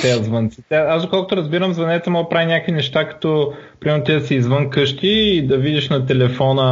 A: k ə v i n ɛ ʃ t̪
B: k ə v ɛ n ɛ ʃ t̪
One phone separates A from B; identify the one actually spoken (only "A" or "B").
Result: A